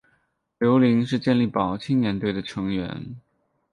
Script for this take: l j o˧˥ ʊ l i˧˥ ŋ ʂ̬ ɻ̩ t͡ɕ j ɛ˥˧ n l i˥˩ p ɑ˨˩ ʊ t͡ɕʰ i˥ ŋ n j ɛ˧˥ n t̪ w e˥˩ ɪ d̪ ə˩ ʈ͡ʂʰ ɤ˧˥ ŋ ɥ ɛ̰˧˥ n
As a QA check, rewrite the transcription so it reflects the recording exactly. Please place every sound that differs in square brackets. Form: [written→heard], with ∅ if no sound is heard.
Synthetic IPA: l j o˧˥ ʊ l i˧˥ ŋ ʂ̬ ɻ̩ t͡ɕ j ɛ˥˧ n l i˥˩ p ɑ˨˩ ʊ t͡ɕʰ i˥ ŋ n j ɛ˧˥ n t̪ w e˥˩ ɪ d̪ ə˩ ʈ͡ʂʰ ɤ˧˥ ŋ ɥ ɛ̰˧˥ n